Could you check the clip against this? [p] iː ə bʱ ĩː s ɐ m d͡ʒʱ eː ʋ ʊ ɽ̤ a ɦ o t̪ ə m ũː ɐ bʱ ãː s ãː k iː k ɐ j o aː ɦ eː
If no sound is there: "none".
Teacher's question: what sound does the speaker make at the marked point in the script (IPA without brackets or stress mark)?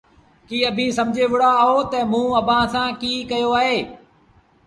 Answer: k